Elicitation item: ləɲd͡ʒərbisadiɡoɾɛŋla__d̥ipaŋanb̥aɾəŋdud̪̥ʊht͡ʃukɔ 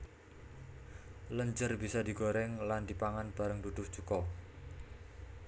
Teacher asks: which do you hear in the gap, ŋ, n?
n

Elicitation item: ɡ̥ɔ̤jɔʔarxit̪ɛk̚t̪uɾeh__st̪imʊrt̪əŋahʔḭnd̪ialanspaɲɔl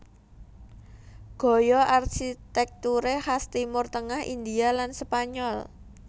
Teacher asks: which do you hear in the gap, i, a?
a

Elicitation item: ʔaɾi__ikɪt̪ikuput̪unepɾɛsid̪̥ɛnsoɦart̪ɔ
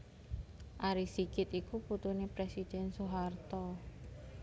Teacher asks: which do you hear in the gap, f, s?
s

